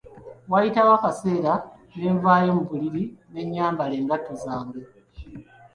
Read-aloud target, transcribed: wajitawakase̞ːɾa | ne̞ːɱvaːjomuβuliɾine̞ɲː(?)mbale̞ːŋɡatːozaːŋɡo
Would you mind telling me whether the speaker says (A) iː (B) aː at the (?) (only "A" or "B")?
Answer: B